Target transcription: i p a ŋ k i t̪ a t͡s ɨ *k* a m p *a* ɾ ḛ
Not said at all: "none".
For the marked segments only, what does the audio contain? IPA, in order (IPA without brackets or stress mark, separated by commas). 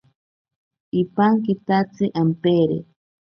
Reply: ʔ, e